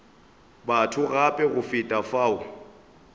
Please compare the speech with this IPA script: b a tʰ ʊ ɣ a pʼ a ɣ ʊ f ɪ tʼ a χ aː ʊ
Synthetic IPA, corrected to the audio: b a tʰ ʊ ɣ a pʼ ɛ ɣ ʊ f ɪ tʼ a f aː ʊ